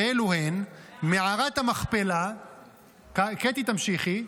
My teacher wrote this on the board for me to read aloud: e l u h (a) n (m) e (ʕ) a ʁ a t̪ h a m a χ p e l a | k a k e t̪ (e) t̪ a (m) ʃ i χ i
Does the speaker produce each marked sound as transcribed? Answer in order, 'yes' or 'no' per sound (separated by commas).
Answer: no, yes, yes, no, yes